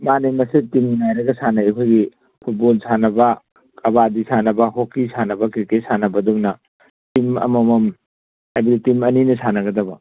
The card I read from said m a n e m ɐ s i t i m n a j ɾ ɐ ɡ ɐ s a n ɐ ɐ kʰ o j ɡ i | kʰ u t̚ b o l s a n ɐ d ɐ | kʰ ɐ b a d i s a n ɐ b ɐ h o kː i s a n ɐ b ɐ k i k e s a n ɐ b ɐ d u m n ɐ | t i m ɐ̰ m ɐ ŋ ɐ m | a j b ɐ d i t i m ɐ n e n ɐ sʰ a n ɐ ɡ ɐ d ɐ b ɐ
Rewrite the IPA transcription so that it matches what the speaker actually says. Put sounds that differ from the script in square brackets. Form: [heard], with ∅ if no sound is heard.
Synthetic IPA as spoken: m a n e m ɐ s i t i m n a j ɾ ɐ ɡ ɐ s a n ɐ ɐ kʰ o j ɡ i | [pʰ] u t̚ b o l s a n ɐ [b] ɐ | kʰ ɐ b a d i s a n ɐ b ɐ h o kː i s a n ɐ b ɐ k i k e s a n ɐ b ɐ d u [ŋ] n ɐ | t i m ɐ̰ m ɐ [m] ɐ m | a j b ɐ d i t i m ɐ n [i] n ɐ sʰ a n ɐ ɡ ɐ d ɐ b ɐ